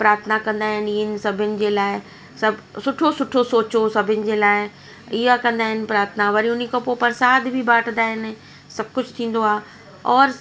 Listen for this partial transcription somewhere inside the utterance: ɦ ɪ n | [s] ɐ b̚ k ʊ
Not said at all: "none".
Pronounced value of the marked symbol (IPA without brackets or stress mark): s